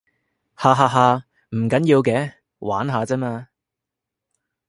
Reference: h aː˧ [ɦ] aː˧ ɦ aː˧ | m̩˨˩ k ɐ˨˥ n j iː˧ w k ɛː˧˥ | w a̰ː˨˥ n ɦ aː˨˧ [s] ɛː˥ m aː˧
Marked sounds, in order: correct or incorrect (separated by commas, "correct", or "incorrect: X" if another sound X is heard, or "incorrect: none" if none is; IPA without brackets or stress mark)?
correct, incorrect: t͡s